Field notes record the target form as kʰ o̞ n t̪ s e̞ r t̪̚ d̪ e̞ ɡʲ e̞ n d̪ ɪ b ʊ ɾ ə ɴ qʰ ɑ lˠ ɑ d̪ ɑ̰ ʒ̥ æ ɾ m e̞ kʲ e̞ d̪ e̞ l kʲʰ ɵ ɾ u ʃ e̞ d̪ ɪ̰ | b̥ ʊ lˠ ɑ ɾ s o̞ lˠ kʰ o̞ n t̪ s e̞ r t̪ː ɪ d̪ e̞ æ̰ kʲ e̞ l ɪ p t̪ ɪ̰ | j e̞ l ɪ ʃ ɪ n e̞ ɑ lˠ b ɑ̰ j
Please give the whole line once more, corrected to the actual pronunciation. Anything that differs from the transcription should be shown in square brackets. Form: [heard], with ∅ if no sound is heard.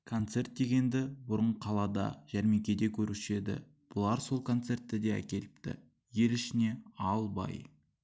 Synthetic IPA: kʰ o̞ n t̪ s e̞ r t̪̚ d̪ e̞ ɡʲ e̞ n d̪ ɪ b ʊ ɾ ə ɴ qʰ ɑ lˠ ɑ d̪ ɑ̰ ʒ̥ æ ɾ m e̞ kʲ e̞ d̪ e̞ [∅] kʲʰ ɵ ɾ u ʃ e̞ d̪ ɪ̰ | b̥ ʊ lˠ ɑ ɾ s o̞ lˠ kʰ o̞ n t̪ s e̞ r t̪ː ɪ d̪ e̞ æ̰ kʲ e̞ l ɪ p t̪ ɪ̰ | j e̞ l ɪ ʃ ɪ n e̞ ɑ lˠ b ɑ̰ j